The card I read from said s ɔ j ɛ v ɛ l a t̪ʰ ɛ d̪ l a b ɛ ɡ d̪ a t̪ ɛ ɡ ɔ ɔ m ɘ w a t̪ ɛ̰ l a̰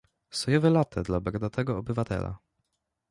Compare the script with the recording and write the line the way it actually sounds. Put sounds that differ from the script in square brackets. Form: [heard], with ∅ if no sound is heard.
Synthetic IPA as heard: s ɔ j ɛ v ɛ l a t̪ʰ ɛ d̪ l a b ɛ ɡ d̪ a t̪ ɛ ɡ ɔ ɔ [b] ɘ [v] a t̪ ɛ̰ l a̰